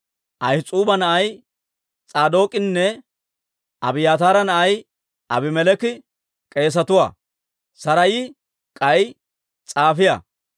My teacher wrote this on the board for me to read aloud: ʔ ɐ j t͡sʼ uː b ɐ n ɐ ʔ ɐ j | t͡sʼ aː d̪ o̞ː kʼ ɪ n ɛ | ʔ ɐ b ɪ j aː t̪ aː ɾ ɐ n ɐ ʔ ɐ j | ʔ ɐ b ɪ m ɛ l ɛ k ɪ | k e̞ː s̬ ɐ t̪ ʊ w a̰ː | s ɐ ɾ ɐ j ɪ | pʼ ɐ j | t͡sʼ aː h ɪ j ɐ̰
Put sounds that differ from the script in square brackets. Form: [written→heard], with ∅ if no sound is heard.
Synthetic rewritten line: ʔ ɐ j t͡sʼ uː b ɐ n ɐ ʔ ɐ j | t͡sʼ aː d̪ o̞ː kʼ ɪ [n→nː] ɛ | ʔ ɐ b ɪ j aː t̪ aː ɾ ɐ n ɐ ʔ ɐ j | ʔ ɐ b ɪ m ɛ l ɛ k ɪ | [k→kʼ] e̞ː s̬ ɐ t̪ ʊ w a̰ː | s ɐ ɾ ɐ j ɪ | [pʼ→kʼ] ɐ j | t͡sʼ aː [h→f] ɪ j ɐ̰

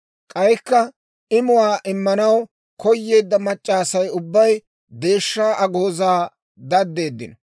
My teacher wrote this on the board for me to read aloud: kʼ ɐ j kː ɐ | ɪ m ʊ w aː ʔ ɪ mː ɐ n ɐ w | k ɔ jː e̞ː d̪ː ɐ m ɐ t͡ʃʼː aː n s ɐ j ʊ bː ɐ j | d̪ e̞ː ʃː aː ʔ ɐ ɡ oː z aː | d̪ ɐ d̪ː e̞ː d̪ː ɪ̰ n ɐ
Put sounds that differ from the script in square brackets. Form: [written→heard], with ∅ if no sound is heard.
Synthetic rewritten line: kʼ ɐ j kː ɐ | ɪ m ʊ w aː ʔ ɪ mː ɐ n ɐ w | k ɔ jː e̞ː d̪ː ɐ m ɐ t͡ʃʼː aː [n→∅] s ɐ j ʊ bː ɐ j | d̪ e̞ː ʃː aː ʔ ɐ ɡ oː z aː | d̪ ɐ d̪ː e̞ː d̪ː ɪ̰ n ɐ

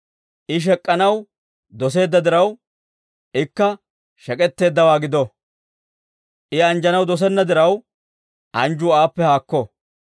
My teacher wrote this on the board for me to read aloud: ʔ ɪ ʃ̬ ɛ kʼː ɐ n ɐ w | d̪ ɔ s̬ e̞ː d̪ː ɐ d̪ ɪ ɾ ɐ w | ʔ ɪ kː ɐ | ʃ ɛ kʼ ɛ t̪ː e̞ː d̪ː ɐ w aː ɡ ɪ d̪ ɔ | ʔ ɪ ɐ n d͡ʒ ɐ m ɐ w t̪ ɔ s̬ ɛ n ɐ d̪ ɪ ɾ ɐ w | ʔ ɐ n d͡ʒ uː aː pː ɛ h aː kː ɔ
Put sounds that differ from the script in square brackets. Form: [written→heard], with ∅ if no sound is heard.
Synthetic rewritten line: ʔ ɪ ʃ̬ ɛ kʼː ɐ n ɐ w | d̪ ɔ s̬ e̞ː d̪ː ɐ d̪ ɪ ɾ ɐ w | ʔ ɪ kː ɐ | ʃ ɛ kʼ ɛ t̪ː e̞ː d̪ː ɐ w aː ɡ ɪ d̪ ɔ | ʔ ɪ ɐ n d͡ʒ ɐ [m→n] ɐ w [t̪→d̪] ɔ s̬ ɛ [n→nː] ɐ d̪ ɪ ɾ ɐ w | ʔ ɐ n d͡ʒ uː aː pː ɛ h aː kː ɔ

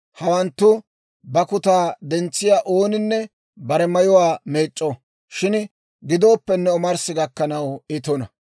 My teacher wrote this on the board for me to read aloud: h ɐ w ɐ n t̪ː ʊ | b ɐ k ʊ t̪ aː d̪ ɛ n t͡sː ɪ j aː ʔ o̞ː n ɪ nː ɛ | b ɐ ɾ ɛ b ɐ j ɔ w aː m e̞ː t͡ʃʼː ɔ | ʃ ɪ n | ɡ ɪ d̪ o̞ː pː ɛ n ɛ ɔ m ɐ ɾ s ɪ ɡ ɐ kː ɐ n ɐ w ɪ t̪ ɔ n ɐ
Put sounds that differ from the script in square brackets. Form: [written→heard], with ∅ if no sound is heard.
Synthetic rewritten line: h ɐ w ɐ n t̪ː ʊ | b ɐ k ʊ t̪ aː d̪ ɛ n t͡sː ɪ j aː ʔ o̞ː n ɪ nː ɛ | b ɐ ɾ ɛ [b→m] ɐ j ɔ w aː m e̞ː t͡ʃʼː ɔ | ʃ ɪ n | ɡ ɪ d̪ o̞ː pː ɛ [n→nː] ɛ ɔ m ɐ ɾ s ɪ ɡ ɐ kː ɐ n ɐ w ɪ t̪ ɔ n ɐ

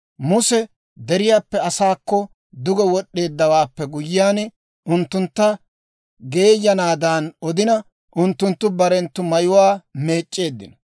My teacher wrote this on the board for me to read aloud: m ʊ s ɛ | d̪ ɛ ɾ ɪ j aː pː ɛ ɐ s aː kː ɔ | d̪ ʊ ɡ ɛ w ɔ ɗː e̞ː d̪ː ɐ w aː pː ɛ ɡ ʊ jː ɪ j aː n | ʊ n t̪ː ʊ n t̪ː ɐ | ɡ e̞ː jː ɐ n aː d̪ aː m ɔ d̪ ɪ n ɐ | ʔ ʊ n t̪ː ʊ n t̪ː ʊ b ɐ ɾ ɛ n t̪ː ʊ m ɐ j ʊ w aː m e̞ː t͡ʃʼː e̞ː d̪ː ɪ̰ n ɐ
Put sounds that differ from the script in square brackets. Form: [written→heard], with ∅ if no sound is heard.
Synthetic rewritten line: m ʊ s ɛ | d̪ ɛ ɾ ɪ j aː pː ɛ ɐ s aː kː ɔ | d̪ ʊ ɡ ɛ w ɔ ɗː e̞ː d̪ː ɐ w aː pː ɛ ɡ ʊ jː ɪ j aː n | ʊ n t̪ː ʊ n t̪ː ɐ | ɡ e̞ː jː ɐ n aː d̪ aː [m→n] ɔ d̪ ɪ n ɐ | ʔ ʊ n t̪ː ʊ n t̪ː ʊ b ɐ ɾ ɛ n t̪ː ʊ m ɐ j ʊ w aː m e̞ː t͡ʃʼː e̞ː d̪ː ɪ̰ n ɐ

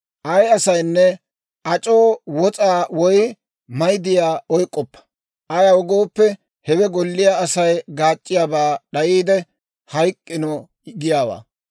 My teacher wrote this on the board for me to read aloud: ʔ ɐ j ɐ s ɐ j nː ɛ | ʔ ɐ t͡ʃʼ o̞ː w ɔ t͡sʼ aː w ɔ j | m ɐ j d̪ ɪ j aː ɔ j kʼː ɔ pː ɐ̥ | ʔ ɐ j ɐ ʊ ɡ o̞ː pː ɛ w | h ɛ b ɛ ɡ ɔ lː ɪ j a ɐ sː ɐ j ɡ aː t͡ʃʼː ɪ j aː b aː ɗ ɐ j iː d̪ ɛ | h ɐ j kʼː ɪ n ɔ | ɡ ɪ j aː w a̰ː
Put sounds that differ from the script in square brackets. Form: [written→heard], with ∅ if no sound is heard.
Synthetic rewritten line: ʔ ɐ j ɐ s ɐ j nː ɛ | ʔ ɐ t͡ʃʼ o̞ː w ɔ t͡sʼ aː w ɔ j | m ɐ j d̪ ɪ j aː ɔ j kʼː ɔ pː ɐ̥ | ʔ ɐ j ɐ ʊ ɡ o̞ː pː ɛ [w→∅] | h ɛ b ɛ ɡ ɔ lː ɪ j a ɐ [sː→s] ɐ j ɡ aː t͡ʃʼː ɪ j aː b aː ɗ ɐ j iː d̪ ɛ | h ɐ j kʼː ɪ n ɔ | ɡ ɪ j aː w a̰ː

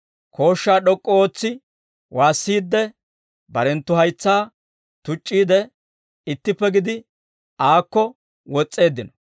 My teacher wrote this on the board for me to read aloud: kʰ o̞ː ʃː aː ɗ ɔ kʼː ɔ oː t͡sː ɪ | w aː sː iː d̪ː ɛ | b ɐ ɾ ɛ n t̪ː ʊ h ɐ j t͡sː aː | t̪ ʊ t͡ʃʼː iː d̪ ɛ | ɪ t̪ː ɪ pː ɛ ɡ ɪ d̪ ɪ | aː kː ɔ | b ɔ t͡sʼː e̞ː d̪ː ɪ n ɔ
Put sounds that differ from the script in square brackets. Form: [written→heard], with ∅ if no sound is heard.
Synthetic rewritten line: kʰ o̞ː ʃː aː ɗ ɔ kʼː ɔ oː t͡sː ɪ | w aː sː iː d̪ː ɛ | b ɐ ɾ ɛ n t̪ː ʊ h ɐ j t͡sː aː | t̪ ʊ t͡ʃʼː iː d̪ ɛ | ɪ t̪ː ɪ pː ɛ ɡ ɪ d̪ ɪ | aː kː ɔ | [b→w] ɔ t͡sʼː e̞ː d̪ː ɪ n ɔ

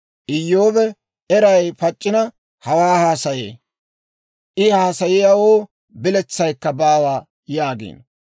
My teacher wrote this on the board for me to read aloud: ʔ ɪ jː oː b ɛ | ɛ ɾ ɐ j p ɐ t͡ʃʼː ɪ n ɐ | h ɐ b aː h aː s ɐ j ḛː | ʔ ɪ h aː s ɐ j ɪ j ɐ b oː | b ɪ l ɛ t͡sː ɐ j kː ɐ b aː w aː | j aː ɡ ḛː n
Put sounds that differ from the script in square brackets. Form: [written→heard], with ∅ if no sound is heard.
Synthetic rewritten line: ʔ ɪ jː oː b ɛ | ɛ ɾ ɐ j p ɐ t͡ʃʼː ɪ n ɐ | h ɐ [b→w] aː h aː s ɐ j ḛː | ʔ ɪ h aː s ɐ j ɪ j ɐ [b→w] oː | b ɪ l ɛ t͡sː ɐ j kː ɐ b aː w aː | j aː ɡ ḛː n

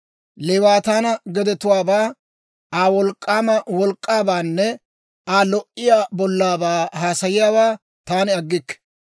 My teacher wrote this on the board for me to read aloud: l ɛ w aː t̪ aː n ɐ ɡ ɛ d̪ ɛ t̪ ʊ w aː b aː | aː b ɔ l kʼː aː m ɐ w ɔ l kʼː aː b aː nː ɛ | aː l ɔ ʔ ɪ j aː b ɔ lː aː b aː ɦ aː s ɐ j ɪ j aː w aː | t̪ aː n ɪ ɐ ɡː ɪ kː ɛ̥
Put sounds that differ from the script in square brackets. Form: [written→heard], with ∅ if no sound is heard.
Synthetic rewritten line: l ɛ w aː t̪ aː n ɐ ɡ ɛ d̪ ɛ t̪ ʊ w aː b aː | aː [b→w] ɔ l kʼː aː m ɐ w ɔ l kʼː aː b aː nː ɛ | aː l ɔ ʔ ɪ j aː b ɔ lː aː b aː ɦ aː s ɐ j ɪ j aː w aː | t̪ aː n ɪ ɐ ɡː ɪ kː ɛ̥

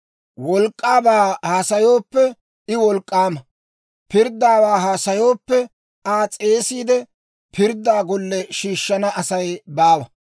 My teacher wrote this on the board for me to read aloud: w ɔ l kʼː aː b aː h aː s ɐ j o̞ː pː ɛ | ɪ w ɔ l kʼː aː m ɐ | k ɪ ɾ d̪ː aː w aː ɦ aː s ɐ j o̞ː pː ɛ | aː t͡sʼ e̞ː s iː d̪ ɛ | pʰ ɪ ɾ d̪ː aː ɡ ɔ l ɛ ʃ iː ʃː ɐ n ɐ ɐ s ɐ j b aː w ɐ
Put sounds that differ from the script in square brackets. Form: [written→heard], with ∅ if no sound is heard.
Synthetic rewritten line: w ɔ l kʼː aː b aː h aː s ɐ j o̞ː pː ɛ | ɪ w ɔ l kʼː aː m ɐ | [k→p] ɪ ɾ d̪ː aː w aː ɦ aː s ɐ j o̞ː pː ɛ | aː t͡sʼ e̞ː s iː d̪ ɛ | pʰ ɪ ɾ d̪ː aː ɡ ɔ [l→lː] ɛ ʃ iː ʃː ɐ n ɐ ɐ s ɐ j b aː w ɐ

